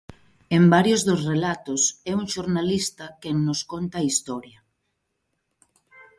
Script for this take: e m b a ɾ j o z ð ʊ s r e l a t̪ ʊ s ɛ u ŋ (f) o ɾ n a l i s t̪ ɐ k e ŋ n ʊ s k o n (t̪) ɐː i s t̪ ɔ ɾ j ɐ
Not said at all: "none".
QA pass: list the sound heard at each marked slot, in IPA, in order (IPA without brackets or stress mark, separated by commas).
ʃ, t̪